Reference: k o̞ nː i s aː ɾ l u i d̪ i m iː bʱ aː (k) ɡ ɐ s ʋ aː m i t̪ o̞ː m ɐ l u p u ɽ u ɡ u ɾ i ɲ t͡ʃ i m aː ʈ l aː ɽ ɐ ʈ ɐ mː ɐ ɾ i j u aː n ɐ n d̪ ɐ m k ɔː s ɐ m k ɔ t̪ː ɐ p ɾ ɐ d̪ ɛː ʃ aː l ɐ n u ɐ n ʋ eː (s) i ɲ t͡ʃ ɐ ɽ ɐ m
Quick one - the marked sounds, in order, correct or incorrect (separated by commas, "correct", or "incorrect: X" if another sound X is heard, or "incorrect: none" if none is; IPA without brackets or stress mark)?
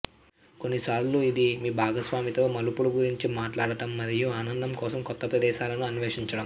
incorrect: none, incorrect: ʂ